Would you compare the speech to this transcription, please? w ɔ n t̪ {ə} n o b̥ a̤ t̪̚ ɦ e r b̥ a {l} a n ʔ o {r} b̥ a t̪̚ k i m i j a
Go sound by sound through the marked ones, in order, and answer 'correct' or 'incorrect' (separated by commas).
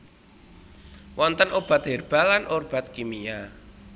correct, correct, correct